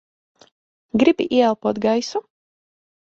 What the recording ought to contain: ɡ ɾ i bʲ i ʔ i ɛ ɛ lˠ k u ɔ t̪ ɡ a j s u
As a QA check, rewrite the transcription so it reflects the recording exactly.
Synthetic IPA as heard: ɡ ɾ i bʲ i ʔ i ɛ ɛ lˠ p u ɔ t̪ ɡ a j s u